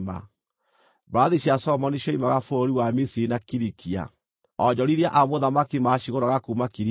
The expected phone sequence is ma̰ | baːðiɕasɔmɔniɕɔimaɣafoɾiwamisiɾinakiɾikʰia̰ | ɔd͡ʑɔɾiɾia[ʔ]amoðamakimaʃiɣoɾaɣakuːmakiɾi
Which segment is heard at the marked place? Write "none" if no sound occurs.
ʔ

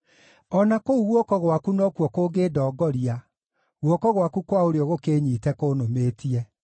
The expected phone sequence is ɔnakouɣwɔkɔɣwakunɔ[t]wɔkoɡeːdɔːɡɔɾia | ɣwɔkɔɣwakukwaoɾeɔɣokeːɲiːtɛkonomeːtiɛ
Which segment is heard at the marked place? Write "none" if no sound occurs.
k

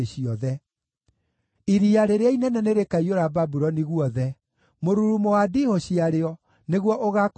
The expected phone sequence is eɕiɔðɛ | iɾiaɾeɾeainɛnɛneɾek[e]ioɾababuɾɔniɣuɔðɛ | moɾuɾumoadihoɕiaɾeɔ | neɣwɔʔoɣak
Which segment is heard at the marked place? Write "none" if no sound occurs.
a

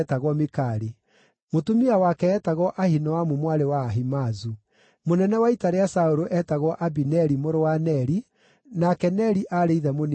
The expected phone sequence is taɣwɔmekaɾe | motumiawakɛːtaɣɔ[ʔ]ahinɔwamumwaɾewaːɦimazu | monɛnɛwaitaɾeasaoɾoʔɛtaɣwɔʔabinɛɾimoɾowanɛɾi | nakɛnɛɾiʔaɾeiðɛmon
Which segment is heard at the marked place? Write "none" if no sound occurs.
ʔ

